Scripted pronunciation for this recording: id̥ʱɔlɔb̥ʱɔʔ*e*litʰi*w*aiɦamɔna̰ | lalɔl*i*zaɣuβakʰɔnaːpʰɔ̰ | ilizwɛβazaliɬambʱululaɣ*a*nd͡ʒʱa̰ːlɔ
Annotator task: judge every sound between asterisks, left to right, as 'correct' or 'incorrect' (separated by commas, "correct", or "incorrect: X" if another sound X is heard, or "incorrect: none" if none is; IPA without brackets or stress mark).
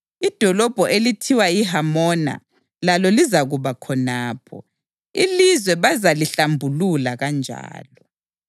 correct, correct, correct, correct